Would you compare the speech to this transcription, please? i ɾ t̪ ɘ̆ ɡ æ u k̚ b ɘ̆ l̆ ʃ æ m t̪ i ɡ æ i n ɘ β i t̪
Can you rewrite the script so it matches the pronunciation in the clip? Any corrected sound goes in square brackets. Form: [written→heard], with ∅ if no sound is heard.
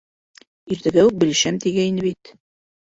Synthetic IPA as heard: i ɾ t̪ ɘ̆ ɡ æ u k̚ b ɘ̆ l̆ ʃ æ m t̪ i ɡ æ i n ɘ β i t̪